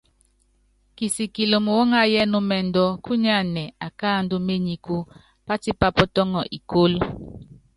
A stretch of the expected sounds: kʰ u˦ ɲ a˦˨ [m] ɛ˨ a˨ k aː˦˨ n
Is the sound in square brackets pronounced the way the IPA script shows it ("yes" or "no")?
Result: no